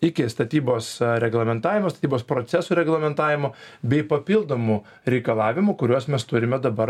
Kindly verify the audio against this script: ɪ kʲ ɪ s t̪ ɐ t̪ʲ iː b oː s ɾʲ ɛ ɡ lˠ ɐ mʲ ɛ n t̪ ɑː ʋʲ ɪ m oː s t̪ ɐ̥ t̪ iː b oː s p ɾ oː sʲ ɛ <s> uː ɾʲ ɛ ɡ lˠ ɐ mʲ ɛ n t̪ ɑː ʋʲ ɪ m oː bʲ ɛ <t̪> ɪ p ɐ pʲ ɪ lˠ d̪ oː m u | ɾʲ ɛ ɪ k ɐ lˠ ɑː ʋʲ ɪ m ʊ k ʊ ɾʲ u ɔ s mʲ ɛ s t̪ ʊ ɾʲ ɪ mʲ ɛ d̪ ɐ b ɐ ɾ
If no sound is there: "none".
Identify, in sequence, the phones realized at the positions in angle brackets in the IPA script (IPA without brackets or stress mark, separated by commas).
s, none